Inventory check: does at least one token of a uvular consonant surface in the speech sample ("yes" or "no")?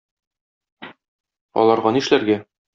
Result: yes